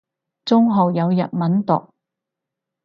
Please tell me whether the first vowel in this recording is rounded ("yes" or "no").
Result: yes